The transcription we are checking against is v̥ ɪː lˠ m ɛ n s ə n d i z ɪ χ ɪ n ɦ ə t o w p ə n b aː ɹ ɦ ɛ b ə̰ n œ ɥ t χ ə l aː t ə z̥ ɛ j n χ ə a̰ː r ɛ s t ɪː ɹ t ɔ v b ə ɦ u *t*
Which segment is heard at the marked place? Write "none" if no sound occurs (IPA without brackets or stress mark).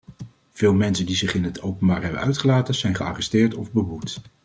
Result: t